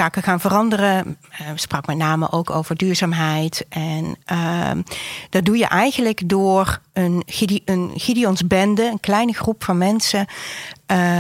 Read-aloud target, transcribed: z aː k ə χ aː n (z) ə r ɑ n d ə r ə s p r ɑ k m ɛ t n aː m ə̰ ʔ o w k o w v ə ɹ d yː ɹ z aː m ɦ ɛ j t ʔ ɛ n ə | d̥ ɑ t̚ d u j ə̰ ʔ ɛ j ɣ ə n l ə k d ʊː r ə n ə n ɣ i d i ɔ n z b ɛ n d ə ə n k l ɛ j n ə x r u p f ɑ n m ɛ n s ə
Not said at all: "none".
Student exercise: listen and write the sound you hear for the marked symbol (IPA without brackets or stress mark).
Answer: v